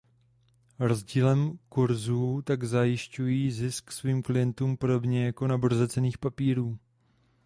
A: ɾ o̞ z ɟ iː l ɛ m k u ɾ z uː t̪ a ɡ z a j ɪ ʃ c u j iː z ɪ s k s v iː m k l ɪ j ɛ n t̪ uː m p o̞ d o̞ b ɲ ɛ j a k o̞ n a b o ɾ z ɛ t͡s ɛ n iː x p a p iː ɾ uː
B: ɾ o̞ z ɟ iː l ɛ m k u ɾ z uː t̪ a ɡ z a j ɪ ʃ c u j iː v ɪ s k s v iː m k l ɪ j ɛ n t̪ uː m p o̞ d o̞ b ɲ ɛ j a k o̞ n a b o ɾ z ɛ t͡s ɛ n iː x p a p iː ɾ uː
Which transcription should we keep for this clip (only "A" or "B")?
A